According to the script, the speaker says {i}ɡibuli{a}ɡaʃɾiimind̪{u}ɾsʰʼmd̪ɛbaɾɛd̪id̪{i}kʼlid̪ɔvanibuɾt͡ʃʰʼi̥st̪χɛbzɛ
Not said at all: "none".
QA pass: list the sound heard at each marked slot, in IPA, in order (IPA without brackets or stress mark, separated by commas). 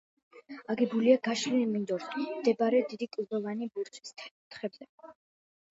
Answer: a, a, ɔ, i